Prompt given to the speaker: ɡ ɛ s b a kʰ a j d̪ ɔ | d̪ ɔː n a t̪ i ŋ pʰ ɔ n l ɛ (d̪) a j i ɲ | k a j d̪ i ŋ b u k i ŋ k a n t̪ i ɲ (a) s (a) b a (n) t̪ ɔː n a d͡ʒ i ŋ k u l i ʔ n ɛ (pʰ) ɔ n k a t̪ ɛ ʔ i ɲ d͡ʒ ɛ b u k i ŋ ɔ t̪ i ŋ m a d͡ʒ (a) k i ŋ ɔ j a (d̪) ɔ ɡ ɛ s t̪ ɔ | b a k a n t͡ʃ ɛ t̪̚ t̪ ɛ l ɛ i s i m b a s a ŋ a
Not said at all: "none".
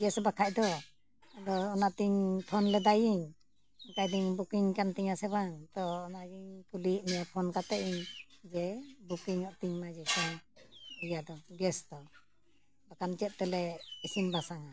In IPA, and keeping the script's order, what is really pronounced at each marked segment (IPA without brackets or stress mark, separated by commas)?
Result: d̪, a, ɛ, ŋ, pʰ, ɛ, d̪